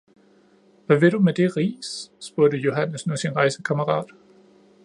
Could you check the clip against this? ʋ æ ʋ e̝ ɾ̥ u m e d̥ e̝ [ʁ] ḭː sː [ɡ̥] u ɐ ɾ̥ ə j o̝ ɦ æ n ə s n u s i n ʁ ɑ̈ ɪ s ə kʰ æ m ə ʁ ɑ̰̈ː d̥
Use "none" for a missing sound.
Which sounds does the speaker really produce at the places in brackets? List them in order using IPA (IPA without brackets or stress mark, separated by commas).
ʁ, b̥